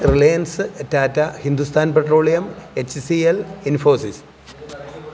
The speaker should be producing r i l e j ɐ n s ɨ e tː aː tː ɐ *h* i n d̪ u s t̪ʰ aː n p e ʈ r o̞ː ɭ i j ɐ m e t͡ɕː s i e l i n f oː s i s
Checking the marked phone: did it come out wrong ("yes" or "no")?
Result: no